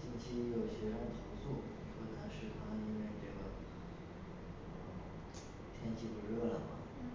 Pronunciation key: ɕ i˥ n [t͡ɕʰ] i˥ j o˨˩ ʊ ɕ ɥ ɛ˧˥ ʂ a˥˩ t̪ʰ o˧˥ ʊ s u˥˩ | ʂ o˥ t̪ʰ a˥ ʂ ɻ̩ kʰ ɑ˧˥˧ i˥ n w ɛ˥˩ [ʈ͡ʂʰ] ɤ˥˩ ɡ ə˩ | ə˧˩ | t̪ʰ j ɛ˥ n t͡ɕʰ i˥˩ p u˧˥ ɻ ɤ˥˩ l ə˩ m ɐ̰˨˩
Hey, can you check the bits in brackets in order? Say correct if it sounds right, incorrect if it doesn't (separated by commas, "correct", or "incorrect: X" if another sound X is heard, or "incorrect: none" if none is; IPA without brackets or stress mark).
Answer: correct, incorrect: ʈ͡ʂ